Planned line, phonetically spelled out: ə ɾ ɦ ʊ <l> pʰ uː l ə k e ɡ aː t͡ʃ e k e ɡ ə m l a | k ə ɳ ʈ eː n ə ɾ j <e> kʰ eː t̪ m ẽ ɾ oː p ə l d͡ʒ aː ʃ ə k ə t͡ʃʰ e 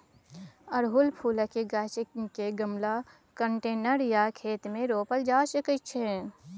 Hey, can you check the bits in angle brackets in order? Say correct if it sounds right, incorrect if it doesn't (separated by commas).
correct, incorrect